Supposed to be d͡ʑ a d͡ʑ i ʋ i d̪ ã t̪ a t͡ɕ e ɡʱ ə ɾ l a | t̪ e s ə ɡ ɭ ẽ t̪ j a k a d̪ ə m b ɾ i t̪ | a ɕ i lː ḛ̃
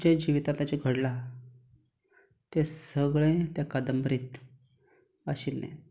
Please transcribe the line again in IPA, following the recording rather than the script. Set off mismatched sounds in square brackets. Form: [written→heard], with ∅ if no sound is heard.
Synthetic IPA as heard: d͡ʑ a d͡ʑ i ʋ i [d̪→t̪] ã t̪ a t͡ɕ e ɡʱ ə [ɾ→ɽ] l a | t̪ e s ə ɡ ɭ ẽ t̪ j a k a d̪ ə m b ɾ i t̪ | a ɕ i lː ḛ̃